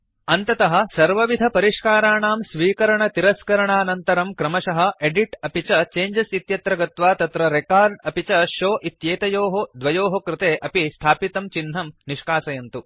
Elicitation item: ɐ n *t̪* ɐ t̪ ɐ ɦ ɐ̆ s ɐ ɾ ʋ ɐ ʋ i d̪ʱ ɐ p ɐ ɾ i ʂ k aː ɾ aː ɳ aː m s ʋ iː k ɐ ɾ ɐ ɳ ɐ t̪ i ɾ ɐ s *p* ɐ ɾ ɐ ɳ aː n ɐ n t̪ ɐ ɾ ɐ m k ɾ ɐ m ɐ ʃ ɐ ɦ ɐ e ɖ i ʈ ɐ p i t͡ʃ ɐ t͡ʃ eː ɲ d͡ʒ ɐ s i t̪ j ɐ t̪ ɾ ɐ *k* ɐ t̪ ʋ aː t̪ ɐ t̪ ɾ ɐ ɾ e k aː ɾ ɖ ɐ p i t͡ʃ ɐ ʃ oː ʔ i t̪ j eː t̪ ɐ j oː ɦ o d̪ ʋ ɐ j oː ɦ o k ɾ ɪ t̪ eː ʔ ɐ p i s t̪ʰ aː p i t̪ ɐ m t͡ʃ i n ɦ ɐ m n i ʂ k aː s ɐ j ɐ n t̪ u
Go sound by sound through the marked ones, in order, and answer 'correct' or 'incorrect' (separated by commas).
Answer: correct, incorrect, incorrect